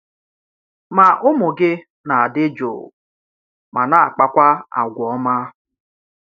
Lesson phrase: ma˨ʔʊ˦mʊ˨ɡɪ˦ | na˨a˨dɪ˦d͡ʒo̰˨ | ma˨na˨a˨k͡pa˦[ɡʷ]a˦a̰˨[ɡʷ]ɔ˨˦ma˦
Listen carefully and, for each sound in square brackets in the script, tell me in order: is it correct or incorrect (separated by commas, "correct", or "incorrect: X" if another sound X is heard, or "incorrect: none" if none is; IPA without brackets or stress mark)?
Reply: incorrect: kʷ, correct